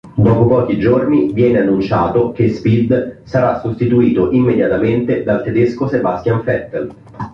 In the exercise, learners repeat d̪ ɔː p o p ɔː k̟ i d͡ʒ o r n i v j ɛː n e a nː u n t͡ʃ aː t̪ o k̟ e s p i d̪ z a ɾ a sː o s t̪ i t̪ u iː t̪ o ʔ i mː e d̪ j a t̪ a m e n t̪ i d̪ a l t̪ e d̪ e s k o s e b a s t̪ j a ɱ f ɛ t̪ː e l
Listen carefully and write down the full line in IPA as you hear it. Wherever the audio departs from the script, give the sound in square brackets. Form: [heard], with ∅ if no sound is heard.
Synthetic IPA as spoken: d̪ ɔː p o p ɔː k̟ i d͡ʒ o r n i v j ɛː n e a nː u n t͡ʃ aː t̪ o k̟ e s p i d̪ [s] a ɾ a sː o s t̪ i t̪ u iː t̪ o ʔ i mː e d̪ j a t̪ a m e n t̪ [e] d̪ a l t̪ e d̪ e s k o s e b a s t̪ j a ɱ f ɛ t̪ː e l